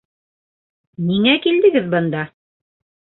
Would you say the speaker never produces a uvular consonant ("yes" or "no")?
yes